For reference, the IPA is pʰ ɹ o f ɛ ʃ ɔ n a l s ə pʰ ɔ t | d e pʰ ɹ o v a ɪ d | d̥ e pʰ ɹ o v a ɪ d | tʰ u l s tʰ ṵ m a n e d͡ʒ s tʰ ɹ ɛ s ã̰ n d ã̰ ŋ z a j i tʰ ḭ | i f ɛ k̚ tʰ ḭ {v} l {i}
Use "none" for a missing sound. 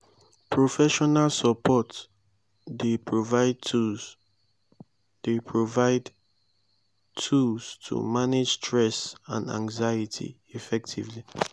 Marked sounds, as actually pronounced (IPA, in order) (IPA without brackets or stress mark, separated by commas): v, i